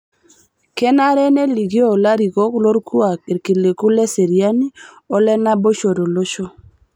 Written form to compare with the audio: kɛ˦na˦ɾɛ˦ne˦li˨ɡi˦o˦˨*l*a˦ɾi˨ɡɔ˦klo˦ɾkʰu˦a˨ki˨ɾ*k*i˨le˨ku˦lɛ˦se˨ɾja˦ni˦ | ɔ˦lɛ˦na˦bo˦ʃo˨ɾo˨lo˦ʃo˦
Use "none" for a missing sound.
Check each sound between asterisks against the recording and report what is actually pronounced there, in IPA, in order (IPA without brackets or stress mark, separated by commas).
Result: l, k